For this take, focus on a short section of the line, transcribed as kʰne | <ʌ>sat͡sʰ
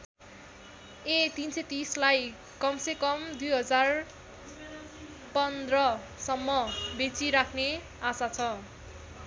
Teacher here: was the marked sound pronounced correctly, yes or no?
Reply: no